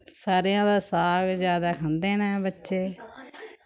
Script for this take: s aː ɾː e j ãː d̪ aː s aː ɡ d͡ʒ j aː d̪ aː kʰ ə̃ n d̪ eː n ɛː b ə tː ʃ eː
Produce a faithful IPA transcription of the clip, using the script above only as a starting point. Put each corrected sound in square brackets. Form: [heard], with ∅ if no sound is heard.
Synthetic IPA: s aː [ɾ] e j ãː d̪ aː s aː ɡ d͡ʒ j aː d̪ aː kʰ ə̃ n d̪ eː n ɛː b ə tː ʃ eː